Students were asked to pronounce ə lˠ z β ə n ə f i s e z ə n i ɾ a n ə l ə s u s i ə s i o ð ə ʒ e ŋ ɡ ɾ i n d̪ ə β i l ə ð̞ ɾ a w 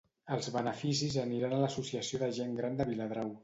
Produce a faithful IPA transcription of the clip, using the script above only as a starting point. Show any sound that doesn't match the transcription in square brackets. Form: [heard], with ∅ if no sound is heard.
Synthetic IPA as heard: ə lˠ z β ə n ə f i s [i] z ə n i ɾ a n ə l ə s u s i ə s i o ð ə ʒ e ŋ ɡ ɾ [a] n d̪ ə β i l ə ð̞ ɾ a w